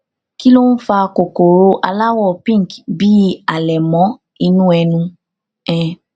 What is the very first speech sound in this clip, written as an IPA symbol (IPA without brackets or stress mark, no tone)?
k